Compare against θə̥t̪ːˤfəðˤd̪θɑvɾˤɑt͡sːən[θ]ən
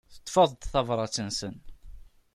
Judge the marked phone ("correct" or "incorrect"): incorrect